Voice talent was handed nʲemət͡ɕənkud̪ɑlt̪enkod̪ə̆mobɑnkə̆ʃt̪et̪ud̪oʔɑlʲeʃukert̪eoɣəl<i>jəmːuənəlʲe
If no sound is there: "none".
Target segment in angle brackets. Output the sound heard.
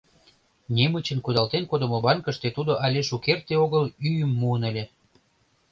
y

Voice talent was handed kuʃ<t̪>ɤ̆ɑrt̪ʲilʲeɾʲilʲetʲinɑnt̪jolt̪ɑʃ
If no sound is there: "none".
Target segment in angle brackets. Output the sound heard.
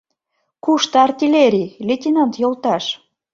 t̪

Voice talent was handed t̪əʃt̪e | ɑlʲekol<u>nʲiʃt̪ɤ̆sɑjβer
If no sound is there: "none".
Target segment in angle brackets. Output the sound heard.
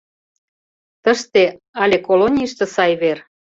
o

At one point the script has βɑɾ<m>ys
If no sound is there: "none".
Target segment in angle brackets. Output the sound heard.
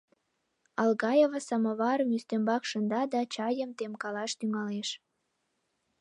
m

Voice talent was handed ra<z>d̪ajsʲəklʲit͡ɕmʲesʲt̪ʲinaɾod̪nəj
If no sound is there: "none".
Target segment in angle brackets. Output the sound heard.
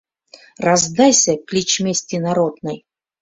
z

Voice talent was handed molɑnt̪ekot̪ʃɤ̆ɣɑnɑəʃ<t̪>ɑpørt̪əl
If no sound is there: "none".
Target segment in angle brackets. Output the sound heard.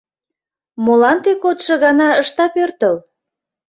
t̪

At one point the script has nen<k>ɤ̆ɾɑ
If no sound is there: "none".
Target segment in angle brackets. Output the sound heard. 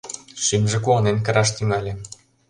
k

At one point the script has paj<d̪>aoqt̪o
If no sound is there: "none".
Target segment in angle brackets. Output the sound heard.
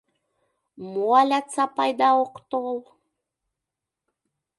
d̪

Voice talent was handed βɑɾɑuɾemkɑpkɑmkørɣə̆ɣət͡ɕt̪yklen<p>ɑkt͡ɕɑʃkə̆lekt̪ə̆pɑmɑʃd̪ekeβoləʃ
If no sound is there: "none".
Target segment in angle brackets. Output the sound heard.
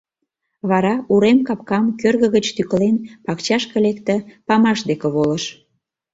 p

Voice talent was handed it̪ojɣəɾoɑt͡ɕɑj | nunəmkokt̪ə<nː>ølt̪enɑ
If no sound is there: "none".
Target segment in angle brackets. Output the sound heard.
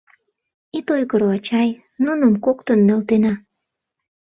nː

